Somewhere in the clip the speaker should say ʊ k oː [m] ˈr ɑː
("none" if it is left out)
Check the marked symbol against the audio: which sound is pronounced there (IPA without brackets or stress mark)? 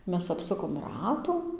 m